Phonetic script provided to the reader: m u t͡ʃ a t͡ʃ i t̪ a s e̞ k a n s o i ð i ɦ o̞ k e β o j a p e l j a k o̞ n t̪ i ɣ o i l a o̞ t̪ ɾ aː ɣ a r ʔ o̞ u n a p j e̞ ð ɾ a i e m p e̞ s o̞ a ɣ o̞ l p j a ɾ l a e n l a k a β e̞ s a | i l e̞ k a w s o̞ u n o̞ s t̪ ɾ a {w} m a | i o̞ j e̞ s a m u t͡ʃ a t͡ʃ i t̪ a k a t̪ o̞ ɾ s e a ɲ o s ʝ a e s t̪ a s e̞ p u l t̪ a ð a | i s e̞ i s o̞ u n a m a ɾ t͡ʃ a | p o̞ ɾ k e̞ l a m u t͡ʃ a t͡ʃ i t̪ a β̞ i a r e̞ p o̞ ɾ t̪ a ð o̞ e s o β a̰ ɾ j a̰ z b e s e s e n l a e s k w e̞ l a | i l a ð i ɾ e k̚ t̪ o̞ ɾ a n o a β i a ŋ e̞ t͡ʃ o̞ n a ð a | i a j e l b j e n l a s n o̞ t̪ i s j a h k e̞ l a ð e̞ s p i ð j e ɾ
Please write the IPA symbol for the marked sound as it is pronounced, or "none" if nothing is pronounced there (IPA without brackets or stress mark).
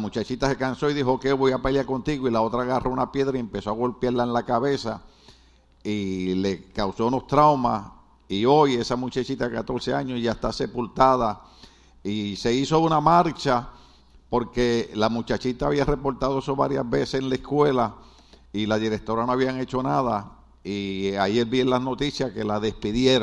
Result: w